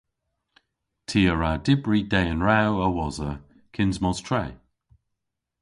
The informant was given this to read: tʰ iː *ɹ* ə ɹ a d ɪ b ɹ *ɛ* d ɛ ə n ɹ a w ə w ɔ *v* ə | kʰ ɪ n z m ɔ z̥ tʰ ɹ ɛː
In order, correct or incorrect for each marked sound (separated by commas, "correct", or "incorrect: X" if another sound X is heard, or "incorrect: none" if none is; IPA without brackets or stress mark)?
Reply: incorrect: none, incorrect: i, incorrect: z